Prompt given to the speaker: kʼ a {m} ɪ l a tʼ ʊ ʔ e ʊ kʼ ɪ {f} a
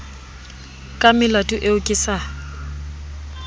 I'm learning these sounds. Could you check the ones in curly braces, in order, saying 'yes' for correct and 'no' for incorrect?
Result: yes, no

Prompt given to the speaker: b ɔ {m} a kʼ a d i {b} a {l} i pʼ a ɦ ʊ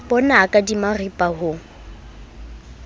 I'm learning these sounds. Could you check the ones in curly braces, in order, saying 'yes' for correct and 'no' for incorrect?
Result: no, no, no

